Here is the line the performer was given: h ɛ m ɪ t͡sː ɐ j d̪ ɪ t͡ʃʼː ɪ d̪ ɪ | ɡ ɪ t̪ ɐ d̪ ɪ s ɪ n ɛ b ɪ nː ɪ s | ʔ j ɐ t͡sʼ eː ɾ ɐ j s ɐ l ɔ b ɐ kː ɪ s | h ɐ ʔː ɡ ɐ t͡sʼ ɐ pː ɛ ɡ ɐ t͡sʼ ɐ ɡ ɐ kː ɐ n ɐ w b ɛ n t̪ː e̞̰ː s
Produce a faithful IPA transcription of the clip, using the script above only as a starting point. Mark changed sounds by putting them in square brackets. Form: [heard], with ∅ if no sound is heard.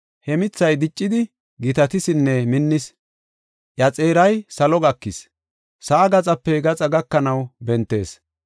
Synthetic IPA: h ɛ m ɪ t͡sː ɐ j d̪ ɪ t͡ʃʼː ɪ d̪ ɪ | ɡ ɪ t̪ ɐ [t̪] ɪ s ɪ [nː] ɛ [m] ɪ nː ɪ s | ʔ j ɐ t͡sʼ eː ɾ ɐ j s ɐ l ɔ [ɡ] ɐ kː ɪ s | [s] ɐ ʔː ɡ ɐ t͡sʼ ɐ pː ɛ ɡ ɐ t͡sʼ ɐ ɡ ɐ kː ɐ n ɐ w b ɛ n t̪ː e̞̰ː s